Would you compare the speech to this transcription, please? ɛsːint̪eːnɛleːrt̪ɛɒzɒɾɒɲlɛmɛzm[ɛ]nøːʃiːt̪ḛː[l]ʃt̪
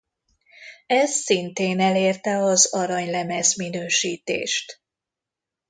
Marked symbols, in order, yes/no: no, no

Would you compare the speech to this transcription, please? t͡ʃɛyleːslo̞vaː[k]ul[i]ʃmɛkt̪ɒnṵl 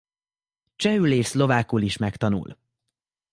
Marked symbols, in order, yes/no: yes, yes

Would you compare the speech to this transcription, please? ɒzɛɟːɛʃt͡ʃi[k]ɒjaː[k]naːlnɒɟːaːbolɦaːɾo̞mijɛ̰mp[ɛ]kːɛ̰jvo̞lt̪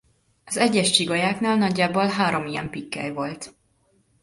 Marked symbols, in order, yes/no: no, yes, no

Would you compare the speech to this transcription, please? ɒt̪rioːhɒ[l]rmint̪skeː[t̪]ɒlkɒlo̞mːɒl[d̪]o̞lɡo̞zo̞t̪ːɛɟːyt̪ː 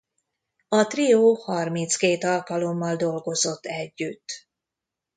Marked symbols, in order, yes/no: no, yes, yes

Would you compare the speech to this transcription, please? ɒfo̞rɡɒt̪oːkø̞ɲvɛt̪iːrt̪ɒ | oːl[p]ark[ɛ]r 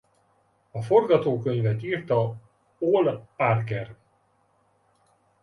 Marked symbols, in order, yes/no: yes, yes

